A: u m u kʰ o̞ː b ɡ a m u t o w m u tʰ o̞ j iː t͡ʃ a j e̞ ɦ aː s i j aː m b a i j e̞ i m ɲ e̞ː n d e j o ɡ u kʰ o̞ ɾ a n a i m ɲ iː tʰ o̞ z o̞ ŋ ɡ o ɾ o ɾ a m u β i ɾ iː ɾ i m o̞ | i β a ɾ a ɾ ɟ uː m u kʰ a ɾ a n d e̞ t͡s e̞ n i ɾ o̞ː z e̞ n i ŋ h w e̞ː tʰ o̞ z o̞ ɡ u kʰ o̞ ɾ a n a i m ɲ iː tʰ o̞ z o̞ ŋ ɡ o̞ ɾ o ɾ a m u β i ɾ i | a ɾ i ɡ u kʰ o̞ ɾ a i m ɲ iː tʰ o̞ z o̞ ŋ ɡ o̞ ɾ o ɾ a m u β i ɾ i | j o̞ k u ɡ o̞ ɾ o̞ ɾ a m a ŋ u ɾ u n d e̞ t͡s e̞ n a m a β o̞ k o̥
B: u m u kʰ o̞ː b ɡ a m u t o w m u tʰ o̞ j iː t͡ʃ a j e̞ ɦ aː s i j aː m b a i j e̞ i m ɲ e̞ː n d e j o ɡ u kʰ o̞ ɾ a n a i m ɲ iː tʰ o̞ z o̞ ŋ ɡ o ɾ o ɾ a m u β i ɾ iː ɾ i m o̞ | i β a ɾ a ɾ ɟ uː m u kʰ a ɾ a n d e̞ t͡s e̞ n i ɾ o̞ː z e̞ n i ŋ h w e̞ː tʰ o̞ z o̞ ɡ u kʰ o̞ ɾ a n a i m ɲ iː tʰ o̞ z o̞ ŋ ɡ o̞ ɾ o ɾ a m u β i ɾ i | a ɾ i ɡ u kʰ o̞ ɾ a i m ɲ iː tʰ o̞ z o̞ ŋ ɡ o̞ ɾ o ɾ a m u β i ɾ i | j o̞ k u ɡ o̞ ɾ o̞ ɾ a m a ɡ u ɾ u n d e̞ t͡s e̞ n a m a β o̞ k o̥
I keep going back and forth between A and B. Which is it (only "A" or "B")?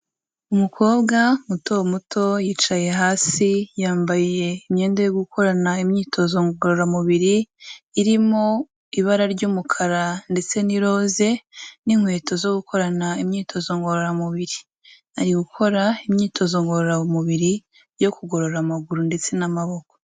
B